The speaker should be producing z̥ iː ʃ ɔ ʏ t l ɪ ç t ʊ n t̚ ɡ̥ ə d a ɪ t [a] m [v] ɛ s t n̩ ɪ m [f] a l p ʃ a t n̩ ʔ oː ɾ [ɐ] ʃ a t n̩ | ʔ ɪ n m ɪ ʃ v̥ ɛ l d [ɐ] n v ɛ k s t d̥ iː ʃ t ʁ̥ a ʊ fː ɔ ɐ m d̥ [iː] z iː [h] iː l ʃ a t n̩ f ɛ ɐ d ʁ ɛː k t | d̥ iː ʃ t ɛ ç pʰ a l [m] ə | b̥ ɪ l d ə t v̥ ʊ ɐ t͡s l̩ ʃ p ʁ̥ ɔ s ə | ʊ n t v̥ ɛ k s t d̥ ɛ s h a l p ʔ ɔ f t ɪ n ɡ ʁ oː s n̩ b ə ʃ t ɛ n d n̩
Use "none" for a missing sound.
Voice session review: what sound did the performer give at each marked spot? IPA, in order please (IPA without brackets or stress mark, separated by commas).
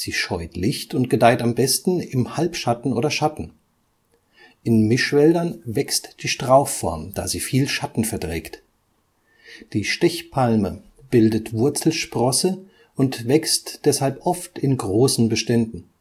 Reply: a, b, h, ɐ, ɐ, aː, f, m